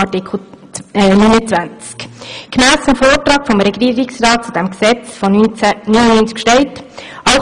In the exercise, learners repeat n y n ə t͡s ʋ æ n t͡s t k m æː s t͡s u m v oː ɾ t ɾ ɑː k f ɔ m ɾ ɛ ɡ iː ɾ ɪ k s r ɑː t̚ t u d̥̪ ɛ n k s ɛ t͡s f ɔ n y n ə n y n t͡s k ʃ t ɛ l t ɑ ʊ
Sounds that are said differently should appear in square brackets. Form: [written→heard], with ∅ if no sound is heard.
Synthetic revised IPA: n y n ə t͡s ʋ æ n t͡s [t→k] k m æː s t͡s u m [v→f] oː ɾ t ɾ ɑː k f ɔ m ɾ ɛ ɡ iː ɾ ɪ k s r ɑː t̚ [t→t͡s] u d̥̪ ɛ [n→m] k s ɛ t͡s f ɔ n y n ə n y n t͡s k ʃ t ɛ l t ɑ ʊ